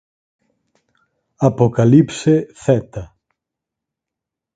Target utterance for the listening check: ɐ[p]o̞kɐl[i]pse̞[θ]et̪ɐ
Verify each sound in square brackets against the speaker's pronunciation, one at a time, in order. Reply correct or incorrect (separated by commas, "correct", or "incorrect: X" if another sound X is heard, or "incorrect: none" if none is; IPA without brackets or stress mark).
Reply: correct, correct, correct